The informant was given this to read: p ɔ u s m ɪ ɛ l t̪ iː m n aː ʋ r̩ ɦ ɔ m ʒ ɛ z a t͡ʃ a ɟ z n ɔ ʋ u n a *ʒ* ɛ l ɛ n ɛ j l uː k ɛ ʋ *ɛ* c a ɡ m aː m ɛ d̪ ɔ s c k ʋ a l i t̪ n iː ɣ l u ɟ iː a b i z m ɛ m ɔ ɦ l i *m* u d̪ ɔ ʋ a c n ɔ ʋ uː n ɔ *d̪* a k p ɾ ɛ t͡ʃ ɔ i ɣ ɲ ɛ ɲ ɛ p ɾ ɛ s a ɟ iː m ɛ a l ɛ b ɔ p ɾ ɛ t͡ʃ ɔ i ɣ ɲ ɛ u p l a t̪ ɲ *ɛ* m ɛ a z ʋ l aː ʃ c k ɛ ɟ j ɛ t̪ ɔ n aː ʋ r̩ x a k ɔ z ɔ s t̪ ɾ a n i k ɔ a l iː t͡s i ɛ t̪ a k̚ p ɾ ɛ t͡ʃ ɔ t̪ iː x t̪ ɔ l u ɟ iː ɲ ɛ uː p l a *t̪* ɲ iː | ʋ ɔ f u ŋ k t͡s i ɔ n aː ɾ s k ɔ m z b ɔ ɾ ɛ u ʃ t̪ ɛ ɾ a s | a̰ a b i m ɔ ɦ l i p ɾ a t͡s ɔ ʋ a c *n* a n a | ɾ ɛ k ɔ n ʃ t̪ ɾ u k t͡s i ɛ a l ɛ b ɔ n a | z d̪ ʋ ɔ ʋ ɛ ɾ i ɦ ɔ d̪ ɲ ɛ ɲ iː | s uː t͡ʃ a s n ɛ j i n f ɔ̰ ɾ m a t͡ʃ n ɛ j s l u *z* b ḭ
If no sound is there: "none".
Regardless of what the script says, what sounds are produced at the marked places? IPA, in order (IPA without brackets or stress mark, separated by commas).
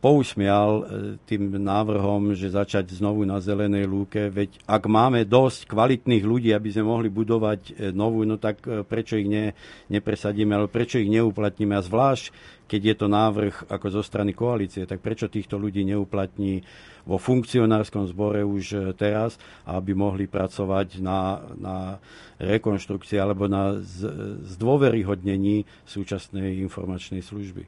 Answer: z, ɛ, b, t̪, i, t̪, n, ʒ